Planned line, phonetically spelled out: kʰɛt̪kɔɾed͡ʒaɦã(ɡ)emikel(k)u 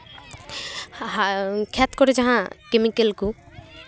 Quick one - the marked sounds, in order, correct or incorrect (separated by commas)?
incorrect, correct